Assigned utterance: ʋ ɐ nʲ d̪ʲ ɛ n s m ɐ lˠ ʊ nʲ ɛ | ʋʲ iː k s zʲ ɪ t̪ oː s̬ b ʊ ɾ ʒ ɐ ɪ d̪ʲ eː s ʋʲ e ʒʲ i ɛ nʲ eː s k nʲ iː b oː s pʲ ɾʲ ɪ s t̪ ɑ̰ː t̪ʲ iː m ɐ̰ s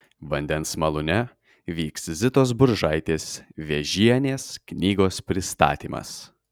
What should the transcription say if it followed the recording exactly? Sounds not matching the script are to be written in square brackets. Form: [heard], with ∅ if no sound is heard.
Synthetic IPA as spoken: ʋ ɐ nʲ d̪ʲ ɛ n s m ɐ lˠ ʊ nʲ ɛ | ʋʲ iː k s zʲ ɪ t̪ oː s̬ b ʊ ɾ ʒ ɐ ɪ [t̪ʲ] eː s ʋʲ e ʒʲ i ɛ nʲ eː s k nʲ iː [ɡ] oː s pʲ ɾʲ ɪ s t̪ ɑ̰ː t̪ʲ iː m ɐ̰ s